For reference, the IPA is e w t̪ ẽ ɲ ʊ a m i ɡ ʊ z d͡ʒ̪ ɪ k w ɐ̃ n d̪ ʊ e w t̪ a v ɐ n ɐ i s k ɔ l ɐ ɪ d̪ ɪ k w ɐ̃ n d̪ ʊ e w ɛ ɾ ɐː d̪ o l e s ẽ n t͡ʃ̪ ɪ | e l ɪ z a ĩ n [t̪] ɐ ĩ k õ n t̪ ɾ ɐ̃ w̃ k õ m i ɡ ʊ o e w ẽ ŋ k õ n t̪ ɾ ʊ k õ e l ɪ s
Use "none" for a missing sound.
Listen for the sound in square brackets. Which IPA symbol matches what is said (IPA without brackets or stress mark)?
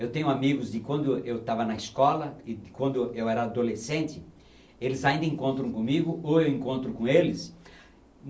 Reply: d̪